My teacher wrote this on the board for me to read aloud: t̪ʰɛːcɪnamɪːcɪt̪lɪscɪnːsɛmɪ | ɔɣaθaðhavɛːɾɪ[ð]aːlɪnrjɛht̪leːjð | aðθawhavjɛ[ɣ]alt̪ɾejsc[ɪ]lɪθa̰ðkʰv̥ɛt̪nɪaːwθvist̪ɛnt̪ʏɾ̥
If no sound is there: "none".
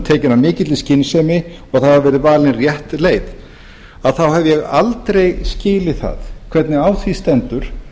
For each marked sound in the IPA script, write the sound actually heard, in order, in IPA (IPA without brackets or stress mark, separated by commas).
v, ɣ, ɪː